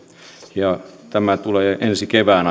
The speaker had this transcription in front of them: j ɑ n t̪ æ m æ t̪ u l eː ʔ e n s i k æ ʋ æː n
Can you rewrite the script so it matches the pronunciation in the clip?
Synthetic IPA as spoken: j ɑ t̪ æ m æ t̪ u l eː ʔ e n s i k e ʋ æː n